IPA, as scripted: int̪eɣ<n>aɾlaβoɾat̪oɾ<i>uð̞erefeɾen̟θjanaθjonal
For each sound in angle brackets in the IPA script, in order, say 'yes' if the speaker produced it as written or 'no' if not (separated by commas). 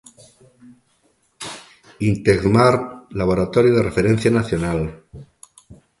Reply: no, no